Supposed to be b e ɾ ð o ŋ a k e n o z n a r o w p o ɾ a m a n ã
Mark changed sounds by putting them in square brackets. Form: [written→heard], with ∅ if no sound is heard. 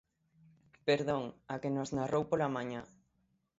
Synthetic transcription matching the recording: [b→p] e ɾ ð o ŋ a k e n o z n a r o w p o [ɾ→l] a m a [n→ɲ] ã

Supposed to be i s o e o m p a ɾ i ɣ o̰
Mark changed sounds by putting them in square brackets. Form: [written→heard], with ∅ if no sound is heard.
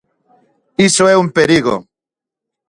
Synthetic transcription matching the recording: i s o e [o→u] m p [a→e] ɾ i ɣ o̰

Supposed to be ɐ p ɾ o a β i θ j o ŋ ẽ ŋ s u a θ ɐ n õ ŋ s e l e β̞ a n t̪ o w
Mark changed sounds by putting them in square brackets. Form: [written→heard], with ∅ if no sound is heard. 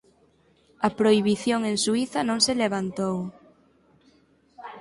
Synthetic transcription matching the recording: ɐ p ɾ o [a→i] β i θ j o ŋ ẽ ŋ s u [a→i] θ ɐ n õ ŋ s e l e β̞ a n t̪ o w

